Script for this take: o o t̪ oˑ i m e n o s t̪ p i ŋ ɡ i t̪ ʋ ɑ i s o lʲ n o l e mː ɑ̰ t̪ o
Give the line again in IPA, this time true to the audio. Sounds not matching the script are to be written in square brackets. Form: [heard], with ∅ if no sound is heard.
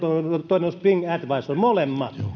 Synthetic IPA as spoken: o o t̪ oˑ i [n] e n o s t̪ p i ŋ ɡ [æ] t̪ ʋ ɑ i s o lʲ [m] o l e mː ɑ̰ t̪ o